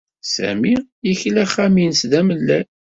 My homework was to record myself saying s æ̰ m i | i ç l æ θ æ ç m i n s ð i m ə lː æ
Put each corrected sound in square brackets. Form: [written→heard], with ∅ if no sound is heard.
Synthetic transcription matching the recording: s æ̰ m i | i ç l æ [θ→χ] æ [ç→∅] m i n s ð [i→æ] m ə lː æ